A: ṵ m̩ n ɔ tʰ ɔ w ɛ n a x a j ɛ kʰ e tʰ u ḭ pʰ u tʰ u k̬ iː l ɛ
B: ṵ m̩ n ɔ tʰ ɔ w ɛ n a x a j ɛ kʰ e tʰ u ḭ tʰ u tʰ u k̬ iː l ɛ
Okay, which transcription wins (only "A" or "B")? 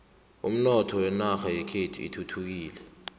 B